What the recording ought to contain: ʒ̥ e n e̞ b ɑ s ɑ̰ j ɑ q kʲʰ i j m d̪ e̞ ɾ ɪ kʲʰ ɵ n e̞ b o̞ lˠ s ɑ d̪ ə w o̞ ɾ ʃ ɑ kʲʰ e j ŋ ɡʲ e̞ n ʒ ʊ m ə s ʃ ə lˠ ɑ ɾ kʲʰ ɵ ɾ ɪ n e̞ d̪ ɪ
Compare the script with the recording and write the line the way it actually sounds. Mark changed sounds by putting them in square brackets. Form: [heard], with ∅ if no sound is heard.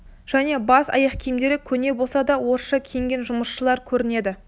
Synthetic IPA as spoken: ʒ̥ [æ] n e̞ b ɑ s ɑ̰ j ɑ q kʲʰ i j m d̪ e̞ ɾ ɪ kʲʰ ɵ n e̞ b o̞ lˠ s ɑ d̪ [ɑ] w o̞ ɾ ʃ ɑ kʲʰ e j ŋ ɡʲ e̞ n ʒ ʊ m ə s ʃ ə lˠ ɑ ɾ kʲʰ ɵ ɾ ɪ n e̞ d̪ ɪ